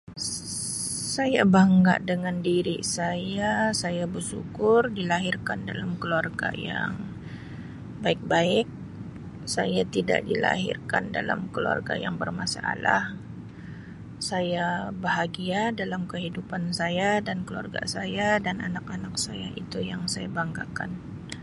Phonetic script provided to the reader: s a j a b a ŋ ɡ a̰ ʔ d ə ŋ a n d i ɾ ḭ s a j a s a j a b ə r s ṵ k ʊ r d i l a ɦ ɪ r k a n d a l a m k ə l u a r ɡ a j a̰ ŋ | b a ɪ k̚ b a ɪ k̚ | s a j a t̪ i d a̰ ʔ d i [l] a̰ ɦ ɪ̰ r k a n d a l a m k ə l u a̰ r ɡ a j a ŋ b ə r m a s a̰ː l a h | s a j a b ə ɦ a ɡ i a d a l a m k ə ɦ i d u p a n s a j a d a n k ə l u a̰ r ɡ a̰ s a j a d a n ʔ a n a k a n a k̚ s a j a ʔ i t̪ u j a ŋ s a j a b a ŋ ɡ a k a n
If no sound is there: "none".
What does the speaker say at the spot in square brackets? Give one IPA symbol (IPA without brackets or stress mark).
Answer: l